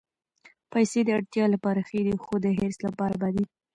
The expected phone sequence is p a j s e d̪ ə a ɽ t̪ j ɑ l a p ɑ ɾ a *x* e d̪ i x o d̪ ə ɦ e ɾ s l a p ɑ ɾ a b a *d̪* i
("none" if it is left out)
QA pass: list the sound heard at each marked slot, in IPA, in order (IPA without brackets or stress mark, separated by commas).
x, d̪